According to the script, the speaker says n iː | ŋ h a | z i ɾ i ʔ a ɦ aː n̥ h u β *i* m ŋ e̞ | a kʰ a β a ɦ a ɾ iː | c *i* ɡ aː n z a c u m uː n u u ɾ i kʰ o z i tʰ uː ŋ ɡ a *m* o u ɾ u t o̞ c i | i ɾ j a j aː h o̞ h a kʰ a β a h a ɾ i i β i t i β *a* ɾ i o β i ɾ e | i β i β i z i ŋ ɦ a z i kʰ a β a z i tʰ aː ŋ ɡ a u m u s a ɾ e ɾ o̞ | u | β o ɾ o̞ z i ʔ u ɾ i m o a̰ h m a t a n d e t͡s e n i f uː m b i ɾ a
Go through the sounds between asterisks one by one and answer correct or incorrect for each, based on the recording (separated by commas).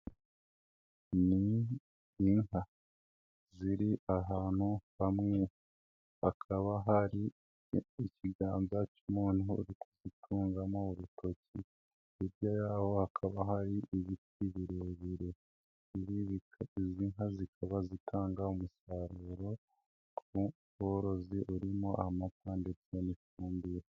incorrect, correct, correct, incorrect